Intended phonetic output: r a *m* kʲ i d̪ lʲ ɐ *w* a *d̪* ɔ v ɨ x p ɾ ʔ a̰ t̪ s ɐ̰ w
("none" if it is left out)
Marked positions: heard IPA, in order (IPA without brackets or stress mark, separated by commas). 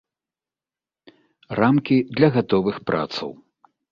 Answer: m, ɣ, t̪